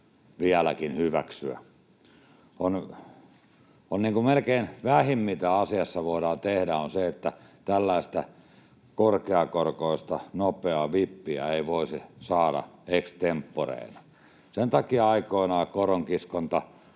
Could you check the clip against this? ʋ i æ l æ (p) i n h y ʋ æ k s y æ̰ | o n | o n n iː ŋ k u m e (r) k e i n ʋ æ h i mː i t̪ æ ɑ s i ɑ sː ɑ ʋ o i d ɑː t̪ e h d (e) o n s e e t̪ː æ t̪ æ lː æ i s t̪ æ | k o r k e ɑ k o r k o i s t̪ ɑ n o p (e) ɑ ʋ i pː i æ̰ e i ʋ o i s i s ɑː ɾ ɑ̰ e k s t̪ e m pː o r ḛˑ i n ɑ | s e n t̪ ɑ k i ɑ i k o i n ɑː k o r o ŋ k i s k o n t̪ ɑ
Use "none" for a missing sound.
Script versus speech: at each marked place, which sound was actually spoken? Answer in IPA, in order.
k, l, æ, e

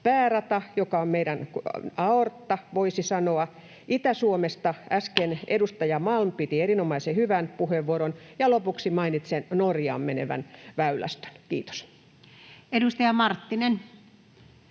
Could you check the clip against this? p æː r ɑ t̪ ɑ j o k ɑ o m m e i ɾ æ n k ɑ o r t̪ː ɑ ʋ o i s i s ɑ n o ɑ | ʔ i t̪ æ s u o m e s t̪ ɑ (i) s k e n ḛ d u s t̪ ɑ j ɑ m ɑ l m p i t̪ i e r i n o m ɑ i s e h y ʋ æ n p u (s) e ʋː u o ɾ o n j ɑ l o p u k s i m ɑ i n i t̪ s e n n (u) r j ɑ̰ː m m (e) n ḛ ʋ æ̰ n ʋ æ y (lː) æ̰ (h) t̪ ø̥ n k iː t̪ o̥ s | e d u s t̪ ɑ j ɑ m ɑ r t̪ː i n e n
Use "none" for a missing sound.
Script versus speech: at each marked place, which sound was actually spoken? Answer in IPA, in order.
æ, h, o, e, l, s

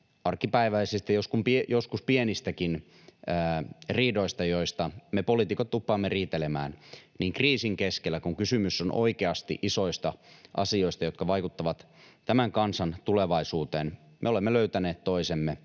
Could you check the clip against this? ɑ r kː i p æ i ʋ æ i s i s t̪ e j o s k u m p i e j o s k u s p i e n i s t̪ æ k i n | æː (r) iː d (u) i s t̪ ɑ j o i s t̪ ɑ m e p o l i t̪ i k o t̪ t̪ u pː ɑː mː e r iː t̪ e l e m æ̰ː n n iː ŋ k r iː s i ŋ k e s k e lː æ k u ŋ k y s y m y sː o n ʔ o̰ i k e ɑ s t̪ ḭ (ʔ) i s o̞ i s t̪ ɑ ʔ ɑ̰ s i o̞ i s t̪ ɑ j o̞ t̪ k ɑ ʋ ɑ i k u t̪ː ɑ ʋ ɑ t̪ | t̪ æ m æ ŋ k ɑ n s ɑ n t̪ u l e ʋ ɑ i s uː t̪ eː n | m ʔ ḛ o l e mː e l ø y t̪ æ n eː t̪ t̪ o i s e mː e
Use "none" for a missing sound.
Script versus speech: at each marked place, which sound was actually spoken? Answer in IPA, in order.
r, o, ʔ

